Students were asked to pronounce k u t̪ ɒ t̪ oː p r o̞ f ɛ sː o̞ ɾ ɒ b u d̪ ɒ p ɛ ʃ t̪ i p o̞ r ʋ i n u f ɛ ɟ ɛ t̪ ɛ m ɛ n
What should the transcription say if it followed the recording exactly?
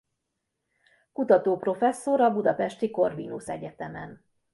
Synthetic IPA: k u t̪ ɒ t̪ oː p r o̞ f ɛ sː o̞ ɾ ɒ b u d̪ ɒ p ɛ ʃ t̪ i k o̞ r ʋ i n u s ɛ ɟ ɛ t̪ ɛ m ɛ n